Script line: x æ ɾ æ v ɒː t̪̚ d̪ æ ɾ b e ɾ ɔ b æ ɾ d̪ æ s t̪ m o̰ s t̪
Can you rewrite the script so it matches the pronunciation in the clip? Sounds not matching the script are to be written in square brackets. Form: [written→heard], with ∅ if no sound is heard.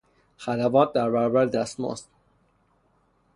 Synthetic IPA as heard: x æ [ɾ→l] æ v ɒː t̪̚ d̪ æ ɾ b [e→æ] ɾ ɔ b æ ɾ d̪ æ s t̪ m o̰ s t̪